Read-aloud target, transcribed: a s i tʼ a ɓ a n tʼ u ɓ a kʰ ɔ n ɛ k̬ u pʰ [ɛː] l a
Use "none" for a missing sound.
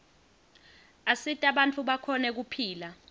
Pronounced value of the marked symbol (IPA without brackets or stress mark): iː